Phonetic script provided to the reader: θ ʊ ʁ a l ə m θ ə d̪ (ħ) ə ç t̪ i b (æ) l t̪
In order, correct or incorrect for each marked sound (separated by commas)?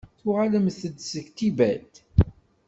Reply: incorrect, correct